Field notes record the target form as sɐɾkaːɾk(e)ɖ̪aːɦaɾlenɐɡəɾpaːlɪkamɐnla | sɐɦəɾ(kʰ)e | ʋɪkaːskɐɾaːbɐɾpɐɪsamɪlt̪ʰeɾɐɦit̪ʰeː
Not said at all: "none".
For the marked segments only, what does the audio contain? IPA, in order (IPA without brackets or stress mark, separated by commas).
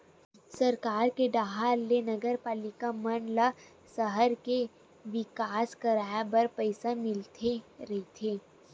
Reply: e, k